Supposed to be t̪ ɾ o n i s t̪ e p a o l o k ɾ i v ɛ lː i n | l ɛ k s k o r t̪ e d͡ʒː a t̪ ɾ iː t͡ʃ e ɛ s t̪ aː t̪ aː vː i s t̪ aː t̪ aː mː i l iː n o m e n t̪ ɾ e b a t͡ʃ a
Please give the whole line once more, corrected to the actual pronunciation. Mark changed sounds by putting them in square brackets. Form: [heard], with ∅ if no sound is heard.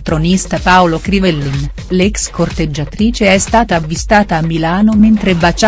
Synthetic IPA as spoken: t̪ ɾ o n i s t̪ [a] p a o l o k ɾ i v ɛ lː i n | l ɛ k s k o r t̪ e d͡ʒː a t̪ ɾ iː t͡ʃ e ɛ s t̪ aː t̪ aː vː i s t̪ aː t̪ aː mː i l [aː] n o m e n t̪ ɾ e b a t͡ʃ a